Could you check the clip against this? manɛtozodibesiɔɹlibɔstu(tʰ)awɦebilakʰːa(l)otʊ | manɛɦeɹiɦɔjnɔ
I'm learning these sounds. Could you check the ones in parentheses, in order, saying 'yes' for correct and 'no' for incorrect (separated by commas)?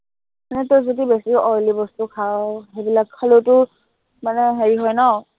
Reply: no, yes